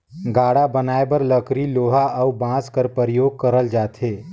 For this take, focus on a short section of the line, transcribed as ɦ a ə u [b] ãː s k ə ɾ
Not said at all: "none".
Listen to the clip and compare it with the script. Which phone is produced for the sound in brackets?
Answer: b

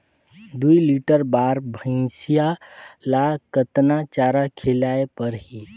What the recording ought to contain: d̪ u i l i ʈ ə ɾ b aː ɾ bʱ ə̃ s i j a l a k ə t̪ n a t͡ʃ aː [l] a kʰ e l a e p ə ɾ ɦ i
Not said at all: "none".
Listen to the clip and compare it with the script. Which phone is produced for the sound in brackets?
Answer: ɾ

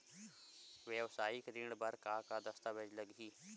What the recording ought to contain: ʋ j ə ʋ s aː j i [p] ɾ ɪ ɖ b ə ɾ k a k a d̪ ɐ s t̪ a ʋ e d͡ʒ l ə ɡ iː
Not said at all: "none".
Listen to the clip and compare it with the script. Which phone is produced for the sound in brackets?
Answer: k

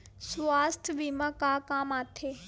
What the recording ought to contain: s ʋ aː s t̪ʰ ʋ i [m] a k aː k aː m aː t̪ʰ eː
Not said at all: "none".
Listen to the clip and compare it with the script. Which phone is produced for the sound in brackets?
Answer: m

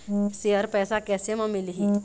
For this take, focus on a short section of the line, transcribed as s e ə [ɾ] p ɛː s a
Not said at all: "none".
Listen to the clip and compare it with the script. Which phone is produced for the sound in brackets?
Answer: ɾ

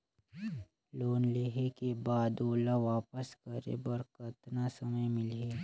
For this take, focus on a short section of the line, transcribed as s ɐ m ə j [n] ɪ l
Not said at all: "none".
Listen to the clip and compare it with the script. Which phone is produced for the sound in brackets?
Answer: m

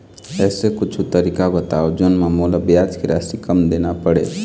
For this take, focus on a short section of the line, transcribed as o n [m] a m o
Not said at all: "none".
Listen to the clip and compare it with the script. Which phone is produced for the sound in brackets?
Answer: m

